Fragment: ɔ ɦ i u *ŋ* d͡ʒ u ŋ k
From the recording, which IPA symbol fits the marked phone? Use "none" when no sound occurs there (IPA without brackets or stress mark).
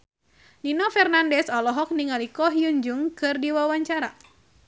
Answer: ɲ